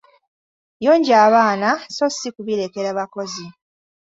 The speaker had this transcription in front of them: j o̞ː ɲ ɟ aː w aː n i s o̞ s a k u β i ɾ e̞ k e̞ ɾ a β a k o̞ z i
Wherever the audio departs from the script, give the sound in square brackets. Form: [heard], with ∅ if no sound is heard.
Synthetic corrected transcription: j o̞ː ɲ ɟ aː [β] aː n [a] s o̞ s [i] k u β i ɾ e̞ k e̞ ɾ a β a k o̞ z i